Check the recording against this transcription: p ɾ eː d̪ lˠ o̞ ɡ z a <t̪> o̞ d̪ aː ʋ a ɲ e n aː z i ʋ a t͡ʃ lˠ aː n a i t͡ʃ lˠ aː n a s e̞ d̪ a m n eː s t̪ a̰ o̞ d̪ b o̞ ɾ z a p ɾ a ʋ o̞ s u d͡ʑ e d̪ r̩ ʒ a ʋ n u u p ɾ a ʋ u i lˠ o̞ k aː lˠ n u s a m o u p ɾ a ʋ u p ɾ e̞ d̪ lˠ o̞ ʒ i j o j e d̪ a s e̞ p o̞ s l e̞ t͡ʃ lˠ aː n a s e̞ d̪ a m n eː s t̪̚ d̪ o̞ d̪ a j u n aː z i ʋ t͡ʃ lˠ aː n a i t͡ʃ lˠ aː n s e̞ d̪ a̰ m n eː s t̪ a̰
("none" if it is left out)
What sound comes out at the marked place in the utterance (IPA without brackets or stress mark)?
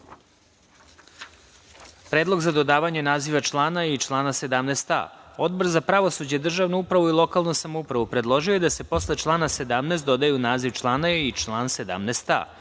d̪